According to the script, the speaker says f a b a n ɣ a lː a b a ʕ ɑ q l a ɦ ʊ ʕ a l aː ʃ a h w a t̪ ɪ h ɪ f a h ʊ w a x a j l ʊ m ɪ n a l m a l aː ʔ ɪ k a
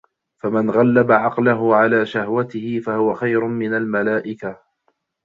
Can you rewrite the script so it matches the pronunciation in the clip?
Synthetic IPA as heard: f a m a n ɣ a lː a b a ʕ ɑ q l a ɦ ʊ ʕ a l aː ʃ a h w a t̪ ɪ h ɪ f a h ʊ w a x a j ɾ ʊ m ɪ n a l m a l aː ʔ ɪ k a